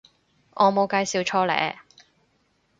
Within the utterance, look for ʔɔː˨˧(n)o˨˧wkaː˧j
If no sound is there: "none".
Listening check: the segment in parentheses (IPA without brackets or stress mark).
m